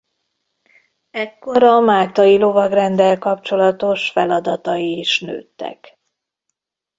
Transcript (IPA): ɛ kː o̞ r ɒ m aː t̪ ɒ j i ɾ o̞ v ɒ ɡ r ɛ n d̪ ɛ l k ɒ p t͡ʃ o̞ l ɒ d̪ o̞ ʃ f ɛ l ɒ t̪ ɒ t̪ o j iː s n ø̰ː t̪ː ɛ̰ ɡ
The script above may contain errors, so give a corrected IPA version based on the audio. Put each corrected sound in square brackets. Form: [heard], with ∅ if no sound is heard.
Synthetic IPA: ɛ kː o̞ [ɾ] ɒ m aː t̪ ɒ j i [l] o̞ v ɒ ɡ r ɛ n d̪ ɛ l k ɒ p t͡ʃ o̞ l ɒ [t̪] o̞ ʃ f ɛ l ɒ [d̪] ɒ t̪ [ɒ] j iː [ʃ] n ø̰ː t̪ː ɛ̰ [k]

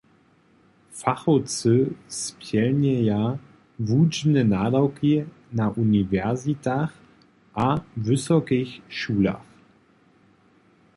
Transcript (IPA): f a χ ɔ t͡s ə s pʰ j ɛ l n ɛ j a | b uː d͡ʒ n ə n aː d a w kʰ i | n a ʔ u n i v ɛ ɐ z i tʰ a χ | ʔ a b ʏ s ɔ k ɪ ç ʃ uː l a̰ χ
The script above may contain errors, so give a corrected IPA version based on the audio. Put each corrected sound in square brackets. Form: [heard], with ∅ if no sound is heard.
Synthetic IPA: f a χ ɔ t͡s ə s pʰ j ɛ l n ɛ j a | [v] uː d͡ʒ n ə n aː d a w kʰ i | n a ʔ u n i v ɛ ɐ z i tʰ a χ | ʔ a [v] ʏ s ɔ k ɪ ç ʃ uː l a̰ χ

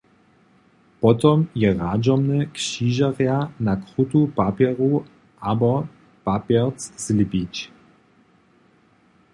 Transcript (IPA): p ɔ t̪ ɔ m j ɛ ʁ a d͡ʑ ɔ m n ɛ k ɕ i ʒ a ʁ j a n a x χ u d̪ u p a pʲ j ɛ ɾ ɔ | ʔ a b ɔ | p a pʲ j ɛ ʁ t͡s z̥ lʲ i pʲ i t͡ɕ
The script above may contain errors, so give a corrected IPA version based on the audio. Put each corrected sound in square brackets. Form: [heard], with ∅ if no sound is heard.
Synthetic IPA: p ɔ t̪ ɔ m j ɛ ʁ a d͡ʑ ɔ m n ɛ k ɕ i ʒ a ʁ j a n a [k] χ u [t̪] u p a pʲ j ɛ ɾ [u] | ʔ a b ɔ | p a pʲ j ɛ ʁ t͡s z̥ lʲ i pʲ i t͡ɕ

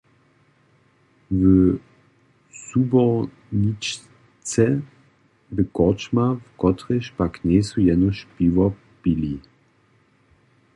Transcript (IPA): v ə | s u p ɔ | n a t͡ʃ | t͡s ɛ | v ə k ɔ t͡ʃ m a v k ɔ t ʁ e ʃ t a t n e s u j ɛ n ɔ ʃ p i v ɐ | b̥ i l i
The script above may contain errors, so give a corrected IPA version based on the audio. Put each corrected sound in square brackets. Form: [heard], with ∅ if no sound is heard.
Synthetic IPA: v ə | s u [b] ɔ | n [i] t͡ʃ | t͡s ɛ | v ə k ɔ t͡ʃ m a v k ɔ t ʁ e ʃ [p] a [k] n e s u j ɛ n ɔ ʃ p i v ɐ | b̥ i l i

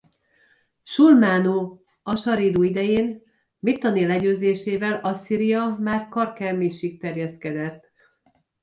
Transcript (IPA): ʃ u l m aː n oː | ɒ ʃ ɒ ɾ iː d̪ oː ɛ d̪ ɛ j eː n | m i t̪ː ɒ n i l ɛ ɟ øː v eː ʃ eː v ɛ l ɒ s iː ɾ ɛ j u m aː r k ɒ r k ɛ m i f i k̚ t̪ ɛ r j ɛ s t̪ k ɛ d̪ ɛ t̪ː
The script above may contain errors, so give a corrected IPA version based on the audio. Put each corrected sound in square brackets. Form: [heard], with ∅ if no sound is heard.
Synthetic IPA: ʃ u l m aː n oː | ɒ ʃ ɒ ɾ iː d̪ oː [i] d̪ ɛ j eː n | m i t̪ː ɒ n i l ɛ ɟ øː [z] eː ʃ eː v ɛ l ɒ s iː ɾ [i] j [ɒ] m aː r k ɒ r k ɛ m i [ʃ] i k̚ t̪ ɛ r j ɛ s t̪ k ɛ d̪ ɛ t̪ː

